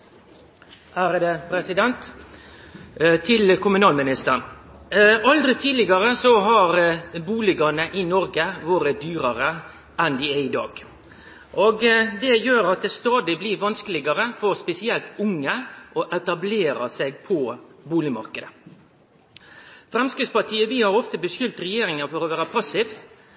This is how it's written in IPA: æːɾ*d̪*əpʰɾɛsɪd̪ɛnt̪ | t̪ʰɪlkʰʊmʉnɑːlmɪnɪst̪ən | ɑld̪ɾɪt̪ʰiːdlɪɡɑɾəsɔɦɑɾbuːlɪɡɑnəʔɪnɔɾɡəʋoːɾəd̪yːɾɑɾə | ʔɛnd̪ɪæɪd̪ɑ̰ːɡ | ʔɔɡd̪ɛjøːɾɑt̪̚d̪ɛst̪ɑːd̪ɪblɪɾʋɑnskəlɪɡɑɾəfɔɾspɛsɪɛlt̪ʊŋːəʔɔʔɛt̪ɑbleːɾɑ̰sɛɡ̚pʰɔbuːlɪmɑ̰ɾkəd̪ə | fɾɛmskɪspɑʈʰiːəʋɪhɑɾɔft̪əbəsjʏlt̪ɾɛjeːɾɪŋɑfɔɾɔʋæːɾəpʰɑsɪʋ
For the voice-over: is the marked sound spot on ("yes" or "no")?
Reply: yes